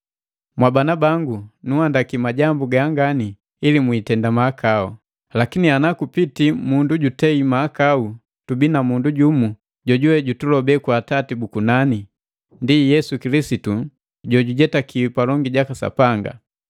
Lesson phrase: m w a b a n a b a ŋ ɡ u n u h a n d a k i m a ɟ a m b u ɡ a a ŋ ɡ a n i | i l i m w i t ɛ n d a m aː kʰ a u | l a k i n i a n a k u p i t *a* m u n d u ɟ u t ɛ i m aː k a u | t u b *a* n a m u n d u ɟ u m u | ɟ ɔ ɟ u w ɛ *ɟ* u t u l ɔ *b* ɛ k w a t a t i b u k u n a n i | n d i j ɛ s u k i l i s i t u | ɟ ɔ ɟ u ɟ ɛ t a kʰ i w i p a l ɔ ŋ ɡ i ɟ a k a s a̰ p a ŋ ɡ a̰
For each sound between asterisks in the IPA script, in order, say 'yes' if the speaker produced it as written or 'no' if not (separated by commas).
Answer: no, no, yes, yes